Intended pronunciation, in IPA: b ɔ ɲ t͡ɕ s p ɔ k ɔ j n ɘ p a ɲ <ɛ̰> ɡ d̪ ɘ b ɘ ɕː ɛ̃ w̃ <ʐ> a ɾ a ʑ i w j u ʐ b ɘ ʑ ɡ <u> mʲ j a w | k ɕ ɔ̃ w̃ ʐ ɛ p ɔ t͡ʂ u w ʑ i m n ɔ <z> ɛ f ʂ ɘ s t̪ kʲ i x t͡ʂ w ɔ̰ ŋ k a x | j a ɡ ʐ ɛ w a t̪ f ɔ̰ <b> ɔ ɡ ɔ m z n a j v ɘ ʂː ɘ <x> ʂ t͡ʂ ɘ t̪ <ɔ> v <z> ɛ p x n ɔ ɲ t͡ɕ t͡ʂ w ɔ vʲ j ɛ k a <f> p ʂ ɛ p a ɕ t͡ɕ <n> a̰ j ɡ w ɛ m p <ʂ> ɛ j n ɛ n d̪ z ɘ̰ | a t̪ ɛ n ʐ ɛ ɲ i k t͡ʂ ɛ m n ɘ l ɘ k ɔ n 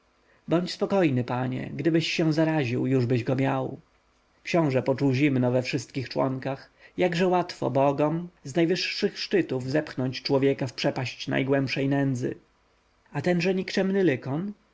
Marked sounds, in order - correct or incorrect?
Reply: correct, incorrect: z, incorrect: ɔ, incorrect: v, correct, correct, incorrect: u, correct, correct, correct, correct

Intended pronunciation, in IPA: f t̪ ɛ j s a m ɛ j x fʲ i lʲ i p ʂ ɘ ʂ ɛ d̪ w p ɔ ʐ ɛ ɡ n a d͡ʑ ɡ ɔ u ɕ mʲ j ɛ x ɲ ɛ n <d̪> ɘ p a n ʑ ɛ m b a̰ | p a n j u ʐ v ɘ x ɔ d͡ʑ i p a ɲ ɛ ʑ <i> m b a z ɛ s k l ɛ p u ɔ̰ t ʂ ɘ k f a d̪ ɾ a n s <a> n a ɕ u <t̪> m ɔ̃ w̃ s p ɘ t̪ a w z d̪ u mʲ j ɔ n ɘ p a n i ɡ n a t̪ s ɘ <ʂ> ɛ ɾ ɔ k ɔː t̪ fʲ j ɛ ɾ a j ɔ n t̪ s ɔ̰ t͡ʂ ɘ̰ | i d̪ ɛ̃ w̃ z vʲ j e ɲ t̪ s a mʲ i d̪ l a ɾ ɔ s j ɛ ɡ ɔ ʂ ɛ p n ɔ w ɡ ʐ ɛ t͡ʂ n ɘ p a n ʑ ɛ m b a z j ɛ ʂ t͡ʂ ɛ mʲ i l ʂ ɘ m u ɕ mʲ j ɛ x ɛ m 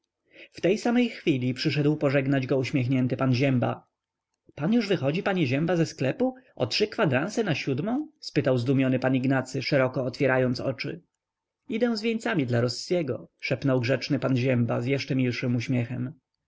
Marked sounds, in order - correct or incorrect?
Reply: incorrect: t̪, incorrect: ɛ, incorrect: ɛ, incorrect: d̪, correct

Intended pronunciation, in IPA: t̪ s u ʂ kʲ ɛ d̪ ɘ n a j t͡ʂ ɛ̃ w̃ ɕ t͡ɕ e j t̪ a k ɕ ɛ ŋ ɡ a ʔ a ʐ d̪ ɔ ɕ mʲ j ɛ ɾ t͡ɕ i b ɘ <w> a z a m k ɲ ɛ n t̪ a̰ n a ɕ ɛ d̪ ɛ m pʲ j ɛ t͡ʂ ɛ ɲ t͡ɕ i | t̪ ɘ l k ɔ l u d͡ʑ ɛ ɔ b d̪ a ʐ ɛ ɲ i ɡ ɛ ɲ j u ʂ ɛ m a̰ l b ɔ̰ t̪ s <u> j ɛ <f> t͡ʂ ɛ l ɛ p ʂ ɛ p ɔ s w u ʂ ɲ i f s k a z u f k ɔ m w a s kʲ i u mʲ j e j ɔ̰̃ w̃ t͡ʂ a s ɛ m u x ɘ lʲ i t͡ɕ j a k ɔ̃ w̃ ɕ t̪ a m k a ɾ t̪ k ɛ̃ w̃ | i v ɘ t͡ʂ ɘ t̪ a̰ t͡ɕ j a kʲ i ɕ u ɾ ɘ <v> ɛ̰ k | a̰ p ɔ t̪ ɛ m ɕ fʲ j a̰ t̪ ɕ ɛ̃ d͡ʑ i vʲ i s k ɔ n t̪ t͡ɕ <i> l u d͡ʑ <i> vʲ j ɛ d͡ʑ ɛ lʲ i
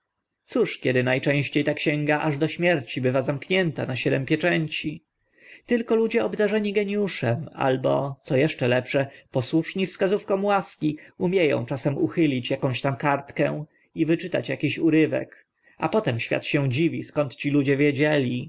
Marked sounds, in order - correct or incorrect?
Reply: incorrect: v, incorrect: ɔ, incorrect: ʂ, correct, correct, incorrect: ɛ

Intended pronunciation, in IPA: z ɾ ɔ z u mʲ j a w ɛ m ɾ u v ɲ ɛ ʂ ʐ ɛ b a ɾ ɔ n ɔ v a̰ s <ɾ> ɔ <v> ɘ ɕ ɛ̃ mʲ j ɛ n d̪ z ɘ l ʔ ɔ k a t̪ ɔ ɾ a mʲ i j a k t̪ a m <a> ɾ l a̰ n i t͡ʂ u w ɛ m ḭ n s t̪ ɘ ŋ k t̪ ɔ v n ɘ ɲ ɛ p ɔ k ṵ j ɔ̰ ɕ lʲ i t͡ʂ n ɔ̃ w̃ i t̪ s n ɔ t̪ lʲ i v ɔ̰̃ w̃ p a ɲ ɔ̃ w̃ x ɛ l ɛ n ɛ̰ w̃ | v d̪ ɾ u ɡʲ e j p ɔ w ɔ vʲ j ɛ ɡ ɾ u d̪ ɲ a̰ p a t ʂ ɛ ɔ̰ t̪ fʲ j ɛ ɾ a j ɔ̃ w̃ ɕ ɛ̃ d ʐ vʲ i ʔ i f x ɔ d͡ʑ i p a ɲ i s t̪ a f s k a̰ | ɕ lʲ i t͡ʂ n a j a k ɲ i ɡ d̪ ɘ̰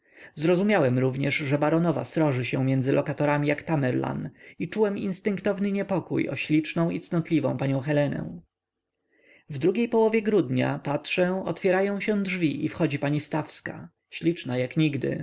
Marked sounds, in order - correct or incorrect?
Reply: correct, incorrect: ʐ, incorrect: ɛ

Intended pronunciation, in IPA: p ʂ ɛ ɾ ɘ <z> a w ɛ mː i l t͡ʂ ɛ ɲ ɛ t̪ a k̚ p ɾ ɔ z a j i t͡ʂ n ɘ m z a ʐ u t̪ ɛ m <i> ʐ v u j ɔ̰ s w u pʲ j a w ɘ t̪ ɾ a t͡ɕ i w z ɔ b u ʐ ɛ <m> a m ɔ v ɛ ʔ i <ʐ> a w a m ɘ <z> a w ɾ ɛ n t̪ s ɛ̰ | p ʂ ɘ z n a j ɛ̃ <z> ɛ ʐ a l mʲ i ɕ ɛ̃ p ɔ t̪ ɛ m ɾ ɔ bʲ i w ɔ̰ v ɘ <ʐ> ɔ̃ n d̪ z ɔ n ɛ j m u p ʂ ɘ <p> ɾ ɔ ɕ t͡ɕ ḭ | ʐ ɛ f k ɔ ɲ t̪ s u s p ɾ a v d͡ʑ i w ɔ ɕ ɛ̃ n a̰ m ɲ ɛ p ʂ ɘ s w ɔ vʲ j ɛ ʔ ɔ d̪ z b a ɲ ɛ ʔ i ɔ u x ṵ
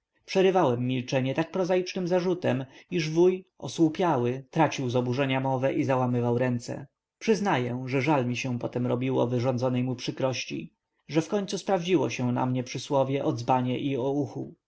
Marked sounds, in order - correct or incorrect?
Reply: incorrect: v, correct, incorrect: ɲ, incorrect: z, incorrect: v, incorrect: ʐ, correct, incorrect: k

